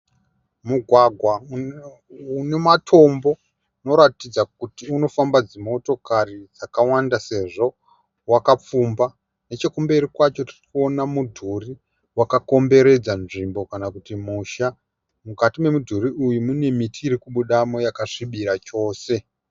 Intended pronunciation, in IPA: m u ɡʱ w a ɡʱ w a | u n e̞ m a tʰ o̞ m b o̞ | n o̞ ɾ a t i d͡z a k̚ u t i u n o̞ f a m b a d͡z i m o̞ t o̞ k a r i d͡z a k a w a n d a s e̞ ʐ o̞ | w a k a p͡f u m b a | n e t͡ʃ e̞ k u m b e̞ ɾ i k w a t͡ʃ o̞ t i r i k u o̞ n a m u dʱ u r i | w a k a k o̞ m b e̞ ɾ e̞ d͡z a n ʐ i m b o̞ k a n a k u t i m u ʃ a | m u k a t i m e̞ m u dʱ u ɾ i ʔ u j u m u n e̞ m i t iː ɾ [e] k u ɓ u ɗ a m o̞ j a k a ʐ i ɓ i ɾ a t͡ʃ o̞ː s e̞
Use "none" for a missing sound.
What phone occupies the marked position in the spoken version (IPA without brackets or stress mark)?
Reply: i